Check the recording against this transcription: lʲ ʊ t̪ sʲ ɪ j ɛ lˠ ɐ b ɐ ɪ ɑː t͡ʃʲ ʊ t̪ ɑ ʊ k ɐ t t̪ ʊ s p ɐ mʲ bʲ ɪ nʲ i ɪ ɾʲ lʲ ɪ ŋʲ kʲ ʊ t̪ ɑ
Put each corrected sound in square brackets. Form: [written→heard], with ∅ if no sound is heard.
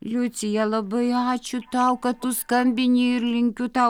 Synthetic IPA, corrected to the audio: lʲ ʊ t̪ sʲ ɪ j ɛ lˠ ɐ b ɐ ɪ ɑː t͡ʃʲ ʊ t̪ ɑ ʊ k ɐ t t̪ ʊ s [p→k] ɐ mʲ bʲ ɪ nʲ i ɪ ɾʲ lʲ ɪ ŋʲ kʲ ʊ t̪ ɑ